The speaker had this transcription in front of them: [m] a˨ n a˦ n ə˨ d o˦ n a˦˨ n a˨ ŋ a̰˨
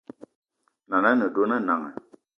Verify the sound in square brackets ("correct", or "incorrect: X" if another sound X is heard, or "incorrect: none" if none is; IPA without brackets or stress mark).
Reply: incorrect: n